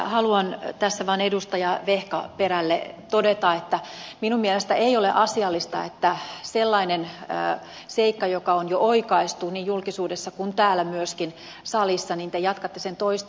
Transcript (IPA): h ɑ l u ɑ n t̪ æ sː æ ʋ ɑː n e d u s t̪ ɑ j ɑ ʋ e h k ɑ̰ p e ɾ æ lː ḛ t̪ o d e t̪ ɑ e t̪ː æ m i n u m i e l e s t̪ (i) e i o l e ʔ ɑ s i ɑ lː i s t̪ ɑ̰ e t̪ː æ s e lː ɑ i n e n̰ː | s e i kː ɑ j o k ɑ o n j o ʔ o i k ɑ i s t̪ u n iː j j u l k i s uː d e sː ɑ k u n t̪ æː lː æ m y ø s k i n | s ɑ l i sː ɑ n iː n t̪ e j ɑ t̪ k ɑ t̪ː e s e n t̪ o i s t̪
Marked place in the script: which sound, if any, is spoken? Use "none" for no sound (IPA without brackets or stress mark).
æ